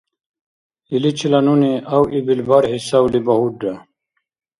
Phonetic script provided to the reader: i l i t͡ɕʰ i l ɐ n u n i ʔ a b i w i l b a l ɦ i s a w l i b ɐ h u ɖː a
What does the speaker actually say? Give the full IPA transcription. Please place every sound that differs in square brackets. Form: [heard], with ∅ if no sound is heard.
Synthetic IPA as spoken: i l i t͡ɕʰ i l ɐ n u n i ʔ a [w] i [b] i l b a [ɾ] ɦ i s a w l i b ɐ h u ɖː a